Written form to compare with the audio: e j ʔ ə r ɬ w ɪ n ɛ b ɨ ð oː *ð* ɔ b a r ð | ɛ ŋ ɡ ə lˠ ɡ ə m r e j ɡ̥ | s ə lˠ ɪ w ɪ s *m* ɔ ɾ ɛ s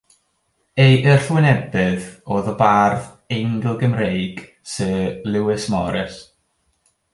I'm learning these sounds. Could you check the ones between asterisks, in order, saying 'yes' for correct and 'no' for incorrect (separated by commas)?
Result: yes, yes